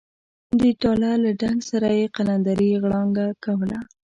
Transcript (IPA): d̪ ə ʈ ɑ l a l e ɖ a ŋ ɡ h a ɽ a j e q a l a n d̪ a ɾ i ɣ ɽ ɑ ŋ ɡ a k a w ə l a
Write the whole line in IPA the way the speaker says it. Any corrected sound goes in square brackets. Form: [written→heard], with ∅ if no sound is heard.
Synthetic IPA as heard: d̪ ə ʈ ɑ l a l [e→a] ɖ a ŋ ɡ [h→s] a [ɽ→ɾ] a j e q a l a n d̪ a ɾ i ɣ ɽ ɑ ŋ ɡ a k a w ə l a

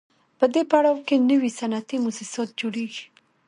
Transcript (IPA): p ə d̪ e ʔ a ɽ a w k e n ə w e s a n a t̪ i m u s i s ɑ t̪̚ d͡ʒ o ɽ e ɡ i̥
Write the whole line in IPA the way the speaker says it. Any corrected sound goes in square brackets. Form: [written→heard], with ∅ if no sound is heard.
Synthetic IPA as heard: p ə d̪ e [ʔ→p] a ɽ a w k e n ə w [e→i] s a n a t̪ i m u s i s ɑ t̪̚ d͡ʒ o ɽ e ɡ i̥

